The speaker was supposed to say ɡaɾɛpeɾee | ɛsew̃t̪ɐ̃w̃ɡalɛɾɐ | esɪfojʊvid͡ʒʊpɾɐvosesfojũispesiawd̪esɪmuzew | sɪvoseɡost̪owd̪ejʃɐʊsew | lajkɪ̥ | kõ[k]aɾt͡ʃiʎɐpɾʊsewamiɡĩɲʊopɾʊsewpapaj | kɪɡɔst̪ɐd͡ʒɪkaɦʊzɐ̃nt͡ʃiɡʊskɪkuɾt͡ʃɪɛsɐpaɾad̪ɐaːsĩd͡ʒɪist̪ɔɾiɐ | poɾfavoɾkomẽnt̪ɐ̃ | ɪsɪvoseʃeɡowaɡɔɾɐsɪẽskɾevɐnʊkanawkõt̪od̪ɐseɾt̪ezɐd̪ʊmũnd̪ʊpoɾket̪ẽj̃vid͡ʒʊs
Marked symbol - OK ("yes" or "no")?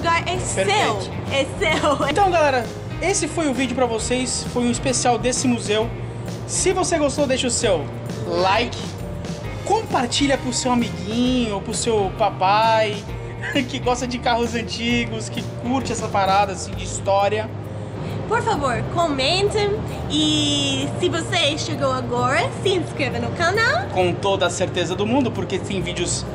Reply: no